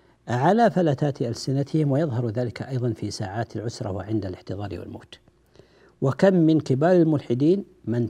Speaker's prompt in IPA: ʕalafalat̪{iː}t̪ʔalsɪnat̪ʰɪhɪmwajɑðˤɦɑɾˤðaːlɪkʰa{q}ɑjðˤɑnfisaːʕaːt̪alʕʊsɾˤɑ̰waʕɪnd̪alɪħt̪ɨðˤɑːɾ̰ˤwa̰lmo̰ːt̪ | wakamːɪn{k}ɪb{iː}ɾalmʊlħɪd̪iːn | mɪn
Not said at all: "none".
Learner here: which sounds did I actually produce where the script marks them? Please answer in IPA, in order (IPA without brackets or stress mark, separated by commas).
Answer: aː, ʔ, k, aː